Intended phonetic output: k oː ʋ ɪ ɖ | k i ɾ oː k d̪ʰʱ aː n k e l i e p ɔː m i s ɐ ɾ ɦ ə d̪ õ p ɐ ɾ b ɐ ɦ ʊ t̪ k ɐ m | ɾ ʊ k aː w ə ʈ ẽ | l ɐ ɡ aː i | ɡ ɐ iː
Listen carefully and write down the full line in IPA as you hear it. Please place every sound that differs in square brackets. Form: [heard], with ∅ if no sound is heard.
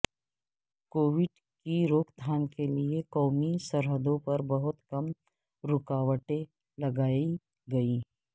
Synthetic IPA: k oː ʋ ɪ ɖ | k i ɾ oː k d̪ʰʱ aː n k e l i e [k] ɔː m i s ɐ ɾ ɦ ə d̪ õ p ɐ ɾ b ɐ ɦ ʊ t̪ k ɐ m | ɾ ʊ k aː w ə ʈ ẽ | l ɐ ɡ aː i | ɡ ɐ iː